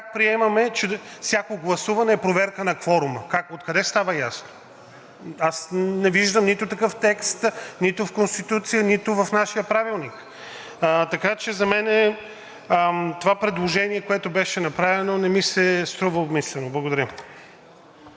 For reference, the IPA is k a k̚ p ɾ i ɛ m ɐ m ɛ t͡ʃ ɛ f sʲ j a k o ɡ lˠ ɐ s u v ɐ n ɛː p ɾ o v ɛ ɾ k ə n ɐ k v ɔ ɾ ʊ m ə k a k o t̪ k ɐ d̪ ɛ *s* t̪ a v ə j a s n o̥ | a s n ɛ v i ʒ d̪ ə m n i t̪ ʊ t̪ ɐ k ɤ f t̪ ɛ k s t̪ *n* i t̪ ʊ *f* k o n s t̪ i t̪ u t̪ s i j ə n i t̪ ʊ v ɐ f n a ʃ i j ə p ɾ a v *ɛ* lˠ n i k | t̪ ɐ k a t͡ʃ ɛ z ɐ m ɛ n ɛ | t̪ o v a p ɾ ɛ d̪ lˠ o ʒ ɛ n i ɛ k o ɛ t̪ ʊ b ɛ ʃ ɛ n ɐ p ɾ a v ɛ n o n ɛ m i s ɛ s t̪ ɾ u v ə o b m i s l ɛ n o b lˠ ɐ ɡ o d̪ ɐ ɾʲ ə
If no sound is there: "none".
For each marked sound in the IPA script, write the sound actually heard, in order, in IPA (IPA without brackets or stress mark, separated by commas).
s, n, f, i